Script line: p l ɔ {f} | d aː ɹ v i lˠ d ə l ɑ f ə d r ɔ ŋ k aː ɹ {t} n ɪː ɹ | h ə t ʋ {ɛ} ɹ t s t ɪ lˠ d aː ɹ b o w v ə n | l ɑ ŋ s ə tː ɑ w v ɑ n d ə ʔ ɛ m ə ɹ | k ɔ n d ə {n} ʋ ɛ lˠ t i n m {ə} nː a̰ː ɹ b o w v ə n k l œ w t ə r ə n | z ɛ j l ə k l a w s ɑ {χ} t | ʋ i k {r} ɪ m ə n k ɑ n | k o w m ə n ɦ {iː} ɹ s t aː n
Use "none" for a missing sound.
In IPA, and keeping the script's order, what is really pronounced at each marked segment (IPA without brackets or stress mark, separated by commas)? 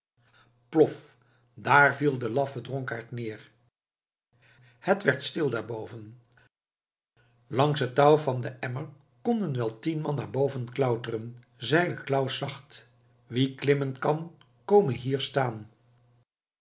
f, t, ɛ, n, ɑ, χ, l, iː